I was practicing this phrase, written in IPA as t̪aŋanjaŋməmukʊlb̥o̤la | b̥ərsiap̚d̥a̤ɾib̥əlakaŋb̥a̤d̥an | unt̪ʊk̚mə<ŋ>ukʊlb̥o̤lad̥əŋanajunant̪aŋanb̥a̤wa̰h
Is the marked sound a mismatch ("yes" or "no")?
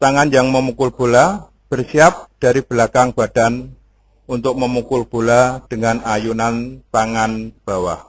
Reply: yes